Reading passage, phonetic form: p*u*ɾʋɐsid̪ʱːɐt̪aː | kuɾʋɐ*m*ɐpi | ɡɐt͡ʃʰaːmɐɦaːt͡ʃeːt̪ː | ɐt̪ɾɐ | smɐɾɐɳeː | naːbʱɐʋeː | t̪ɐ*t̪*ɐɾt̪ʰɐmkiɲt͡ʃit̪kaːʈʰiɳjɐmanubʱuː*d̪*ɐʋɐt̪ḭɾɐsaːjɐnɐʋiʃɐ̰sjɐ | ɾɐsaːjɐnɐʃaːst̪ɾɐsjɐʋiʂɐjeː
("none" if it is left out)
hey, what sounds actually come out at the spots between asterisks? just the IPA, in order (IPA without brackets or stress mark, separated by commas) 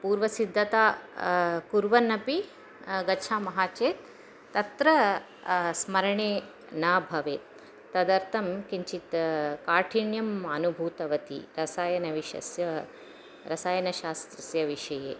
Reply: uː, n, d̪, t̪